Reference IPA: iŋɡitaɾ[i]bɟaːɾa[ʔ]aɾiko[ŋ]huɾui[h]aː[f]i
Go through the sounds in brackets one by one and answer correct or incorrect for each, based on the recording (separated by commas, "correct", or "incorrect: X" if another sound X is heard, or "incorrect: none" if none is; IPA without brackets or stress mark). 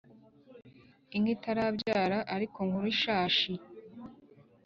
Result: incorrect: a, correct, correct, incorrect: ʃ, incorrect: ʃ